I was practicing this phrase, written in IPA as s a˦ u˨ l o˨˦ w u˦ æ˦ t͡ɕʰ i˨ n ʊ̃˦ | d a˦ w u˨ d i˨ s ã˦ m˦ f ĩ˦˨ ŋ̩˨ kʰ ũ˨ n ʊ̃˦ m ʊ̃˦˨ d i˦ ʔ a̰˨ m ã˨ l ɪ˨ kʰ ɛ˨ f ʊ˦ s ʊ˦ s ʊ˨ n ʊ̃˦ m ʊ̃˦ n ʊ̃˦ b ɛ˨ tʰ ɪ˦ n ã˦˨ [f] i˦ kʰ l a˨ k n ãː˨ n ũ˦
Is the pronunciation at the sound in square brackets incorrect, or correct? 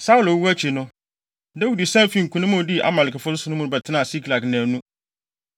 incorrect